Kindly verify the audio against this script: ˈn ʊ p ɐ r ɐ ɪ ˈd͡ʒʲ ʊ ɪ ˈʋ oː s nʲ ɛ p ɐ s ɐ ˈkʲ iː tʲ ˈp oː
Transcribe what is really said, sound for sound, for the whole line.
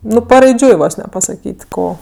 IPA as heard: ˈn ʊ p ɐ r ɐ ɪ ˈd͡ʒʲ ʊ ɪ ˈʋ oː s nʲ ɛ p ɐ s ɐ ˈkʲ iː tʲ ˈk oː